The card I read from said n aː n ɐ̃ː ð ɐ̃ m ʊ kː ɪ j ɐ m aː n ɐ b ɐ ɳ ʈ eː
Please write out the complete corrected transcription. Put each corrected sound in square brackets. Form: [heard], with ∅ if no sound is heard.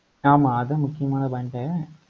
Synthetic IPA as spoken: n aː [m] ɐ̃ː ð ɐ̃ m ʊ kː ɪ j ɐ m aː n ɐ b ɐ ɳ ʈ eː